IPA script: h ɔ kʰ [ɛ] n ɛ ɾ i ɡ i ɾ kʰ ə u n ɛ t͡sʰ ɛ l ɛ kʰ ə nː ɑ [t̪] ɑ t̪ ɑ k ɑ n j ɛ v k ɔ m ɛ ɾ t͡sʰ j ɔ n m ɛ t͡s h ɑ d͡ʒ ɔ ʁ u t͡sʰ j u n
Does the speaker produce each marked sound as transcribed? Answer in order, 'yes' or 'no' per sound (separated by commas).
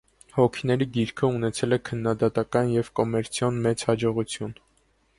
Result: no, no